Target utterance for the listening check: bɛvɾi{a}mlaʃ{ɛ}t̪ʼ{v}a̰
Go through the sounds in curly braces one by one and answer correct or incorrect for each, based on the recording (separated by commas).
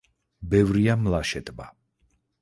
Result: correct, correct, incorrect